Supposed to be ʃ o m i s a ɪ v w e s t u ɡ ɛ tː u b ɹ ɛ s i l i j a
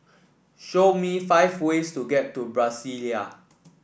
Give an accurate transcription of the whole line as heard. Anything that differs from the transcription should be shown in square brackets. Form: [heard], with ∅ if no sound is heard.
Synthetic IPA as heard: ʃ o m i [f] a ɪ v w e s t u ɡ ɛ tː u b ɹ [a] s i l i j a